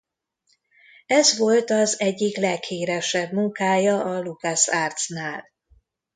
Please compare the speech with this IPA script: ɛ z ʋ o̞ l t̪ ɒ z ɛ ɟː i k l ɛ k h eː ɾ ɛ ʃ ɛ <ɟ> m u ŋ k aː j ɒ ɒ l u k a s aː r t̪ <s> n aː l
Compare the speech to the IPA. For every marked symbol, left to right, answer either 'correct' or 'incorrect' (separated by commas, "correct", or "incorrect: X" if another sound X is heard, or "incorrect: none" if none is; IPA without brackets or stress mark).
incorrect: b, correct